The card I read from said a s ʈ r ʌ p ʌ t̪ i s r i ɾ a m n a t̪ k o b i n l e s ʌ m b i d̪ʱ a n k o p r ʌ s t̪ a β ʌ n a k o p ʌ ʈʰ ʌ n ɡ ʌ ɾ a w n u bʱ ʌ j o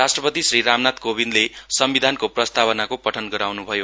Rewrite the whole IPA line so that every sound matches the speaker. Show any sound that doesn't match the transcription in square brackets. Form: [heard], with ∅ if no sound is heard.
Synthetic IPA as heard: a s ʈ r ʌ p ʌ t̪ i s r i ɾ a m n a t̪ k o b i n l e s ʌ m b i d̪ʱ a n k o p r ʌ s t̪ a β ʌ n a k o p ʌ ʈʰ ʌ n ɡ ʌ ɾ a w n u bʱ ʌ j o